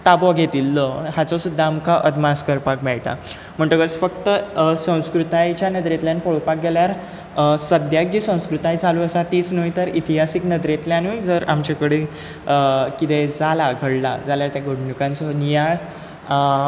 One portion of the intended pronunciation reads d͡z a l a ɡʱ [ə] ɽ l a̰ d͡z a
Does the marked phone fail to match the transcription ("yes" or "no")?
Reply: no